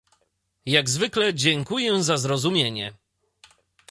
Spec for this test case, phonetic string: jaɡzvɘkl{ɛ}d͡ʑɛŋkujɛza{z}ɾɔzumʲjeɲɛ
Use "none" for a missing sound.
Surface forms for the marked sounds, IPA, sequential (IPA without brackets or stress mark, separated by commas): ɛ, z